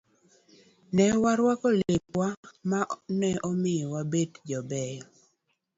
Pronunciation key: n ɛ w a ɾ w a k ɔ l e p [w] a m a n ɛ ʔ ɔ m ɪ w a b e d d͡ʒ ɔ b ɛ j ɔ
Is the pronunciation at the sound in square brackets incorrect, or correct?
correct